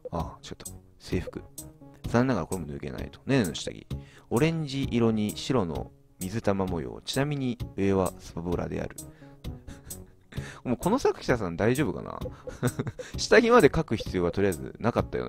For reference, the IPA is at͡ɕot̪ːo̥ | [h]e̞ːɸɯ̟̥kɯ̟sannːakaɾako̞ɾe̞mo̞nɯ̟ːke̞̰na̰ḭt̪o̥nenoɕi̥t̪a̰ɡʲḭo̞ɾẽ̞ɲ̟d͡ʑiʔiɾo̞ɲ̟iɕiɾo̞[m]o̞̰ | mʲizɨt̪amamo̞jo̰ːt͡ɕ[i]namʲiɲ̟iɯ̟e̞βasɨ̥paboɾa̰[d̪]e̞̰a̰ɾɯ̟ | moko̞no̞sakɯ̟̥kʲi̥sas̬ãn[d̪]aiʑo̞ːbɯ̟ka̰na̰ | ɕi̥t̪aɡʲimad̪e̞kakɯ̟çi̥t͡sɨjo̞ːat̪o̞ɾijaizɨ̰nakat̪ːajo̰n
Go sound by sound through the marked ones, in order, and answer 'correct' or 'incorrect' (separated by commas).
incorrect, incorrect, correct, correct, correct